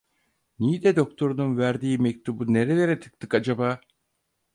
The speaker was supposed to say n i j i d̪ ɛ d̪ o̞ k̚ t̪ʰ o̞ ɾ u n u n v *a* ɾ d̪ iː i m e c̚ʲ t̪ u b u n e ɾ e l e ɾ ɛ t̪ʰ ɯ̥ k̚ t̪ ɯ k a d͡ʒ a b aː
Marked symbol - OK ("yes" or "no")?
no